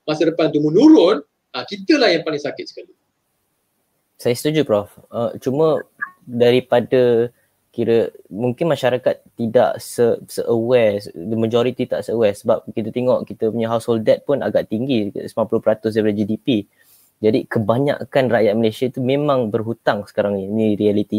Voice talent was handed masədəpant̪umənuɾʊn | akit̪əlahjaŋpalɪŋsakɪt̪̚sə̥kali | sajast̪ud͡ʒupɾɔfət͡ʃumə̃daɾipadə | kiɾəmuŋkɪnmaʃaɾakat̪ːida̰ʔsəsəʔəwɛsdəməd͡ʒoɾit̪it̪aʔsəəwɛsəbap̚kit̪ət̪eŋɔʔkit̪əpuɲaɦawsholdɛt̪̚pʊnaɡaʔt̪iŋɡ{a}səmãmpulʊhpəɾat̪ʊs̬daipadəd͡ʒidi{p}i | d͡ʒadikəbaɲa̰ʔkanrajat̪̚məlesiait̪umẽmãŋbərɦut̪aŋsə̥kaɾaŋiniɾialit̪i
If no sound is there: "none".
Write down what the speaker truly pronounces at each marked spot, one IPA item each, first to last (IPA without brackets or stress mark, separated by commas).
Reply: i, p